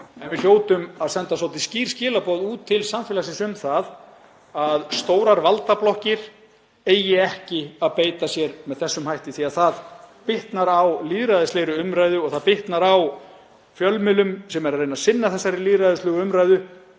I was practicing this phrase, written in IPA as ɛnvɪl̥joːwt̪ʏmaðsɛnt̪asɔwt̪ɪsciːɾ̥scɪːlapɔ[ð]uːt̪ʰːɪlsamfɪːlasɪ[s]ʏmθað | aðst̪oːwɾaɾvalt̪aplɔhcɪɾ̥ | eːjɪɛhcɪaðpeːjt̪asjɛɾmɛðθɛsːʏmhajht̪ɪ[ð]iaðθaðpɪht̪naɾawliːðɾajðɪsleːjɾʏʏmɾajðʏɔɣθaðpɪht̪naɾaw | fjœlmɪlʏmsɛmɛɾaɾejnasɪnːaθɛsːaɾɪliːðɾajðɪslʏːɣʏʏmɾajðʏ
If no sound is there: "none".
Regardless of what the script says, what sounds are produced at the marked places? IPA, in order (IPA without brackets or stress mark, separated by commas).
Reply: ð, s, θ